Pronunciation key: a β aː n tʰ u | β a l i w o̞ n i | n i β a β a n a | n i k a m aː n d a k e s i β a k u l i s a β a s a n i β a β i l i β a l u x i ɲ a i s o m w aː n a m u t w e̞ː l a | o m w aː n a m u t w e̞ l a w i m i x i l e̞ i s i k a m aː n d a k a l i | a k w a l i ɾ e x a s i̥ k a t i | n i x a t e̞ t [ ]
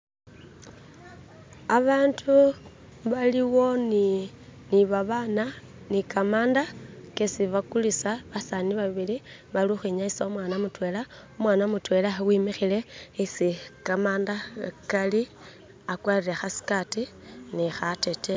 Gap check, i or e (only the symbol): e